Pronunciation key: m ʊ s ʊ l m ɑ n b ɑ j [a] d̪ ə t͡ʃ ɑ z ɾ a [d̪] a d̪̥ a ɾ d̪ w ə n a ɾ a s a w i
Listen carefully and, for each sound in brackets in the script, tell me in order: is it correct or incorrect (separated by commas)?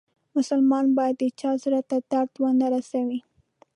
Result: correct, incorrect